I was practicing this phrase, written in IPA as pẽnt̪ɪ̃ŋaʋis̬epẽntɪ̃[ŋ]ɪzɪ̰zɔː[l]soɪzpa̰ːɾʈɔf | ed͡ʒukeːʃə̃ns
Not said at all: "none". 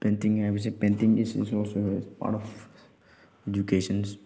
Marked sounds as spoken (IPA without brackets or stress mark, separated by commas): ŋ, l